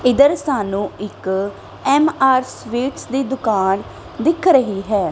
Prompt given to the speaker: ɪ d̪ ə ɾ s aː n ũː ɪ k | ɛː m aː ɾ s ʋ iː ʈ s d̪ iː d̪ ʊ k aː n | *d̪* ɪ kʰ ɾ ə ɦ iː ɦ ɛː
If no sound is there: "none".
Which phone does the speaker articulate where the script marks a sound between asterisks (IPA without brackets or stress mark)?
d̪